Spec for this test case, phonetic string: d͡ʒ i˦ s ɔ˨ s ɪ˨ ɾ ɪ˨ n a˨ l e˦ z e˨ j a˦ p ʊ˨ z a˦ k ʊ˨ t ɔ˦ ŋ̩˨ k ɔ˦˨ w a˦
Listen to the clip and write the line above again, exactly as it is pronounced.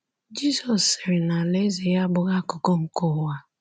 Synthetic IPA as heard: d͡ʒ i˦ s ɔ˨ s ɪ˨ ɾ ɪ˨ n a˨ l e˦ z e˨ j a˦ b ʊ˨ ɣ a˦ k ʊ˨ k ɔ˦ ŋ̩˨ k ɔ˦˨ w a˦